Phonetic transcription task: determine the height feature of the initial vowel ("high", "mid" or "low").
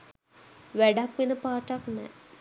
low